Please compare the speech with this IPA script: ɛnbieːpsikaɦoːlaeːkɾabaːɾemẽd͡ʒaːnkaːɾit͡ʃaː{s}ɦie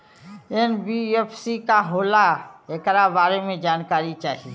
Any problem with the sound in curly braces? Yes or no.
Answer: yes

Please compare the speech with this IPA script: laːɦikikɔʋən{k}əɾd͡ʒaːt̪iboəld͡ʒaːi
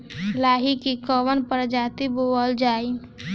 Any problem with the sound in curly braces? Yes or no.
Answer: yes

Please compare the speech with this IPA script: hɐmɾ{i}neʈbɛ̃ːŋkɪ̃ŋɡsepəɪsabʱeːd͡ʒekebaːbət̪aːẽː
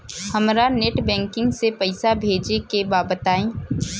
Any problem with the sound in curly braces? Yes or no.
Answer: yes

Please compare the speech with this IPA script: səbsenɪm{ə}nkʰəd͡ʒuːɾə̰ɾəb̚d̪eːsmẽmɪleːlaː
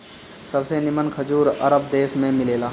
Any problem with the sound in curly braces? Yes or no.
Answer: no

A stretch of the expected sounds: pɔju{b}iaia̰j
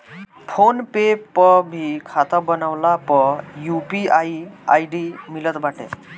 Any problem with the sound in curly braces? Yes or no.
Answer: yes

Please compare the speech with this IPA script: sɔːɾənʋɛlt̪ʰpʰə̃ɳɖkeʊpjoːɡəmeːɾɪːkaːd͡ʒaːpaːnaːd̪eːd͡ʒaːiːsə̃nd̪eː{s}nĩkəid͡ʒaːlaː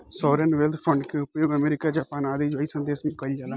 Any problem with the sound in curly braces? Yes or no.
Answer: no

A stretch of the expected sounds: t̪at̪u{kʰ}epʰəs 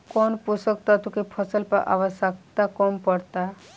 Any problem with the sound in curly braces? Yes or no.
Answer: yes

